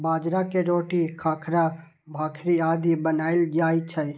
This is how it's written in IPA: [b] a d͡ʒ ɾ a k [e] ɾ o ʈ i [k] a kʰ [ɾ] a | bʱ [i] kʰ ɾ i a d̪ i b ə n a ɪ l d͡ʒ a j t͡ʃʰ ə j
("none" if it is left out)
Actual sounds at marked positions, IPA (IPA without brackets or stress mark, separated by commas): b, e, kʰ, ɾ, a